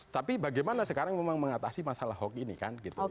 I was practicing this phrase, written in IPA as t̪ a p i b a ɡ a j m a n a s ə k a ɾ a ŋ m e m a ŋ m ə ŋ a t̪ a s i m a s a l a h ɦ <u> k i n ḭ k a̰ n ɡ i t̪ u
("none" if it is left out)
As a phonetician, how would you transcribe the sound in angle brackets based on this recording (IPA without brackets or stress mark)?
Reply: ɔ